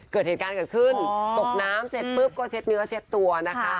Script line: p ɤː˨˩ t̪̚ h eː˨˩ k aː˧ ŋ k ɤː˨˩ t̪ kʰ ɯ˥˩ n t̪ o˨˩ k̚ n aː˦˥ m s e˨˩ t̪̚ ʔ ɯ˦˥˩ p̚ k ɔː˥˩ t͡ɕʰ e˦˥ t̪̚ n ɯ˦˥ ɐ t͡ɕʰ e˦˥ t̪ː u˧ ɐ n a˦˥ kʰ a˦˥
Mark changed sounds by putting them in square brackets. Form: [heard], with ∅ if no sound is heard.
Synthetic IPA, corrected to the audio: [k] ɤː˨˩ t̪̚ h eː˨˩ k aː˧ [n] k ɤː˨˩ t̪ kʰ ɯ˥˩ n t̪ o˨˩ k̚ n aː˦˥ m s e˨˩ t̪̚ [p] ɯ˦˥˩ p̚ k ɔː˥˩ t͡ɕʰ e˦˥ t̪̚ n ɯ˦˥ ɐ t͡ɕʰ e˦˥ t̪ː u˧ ɐ n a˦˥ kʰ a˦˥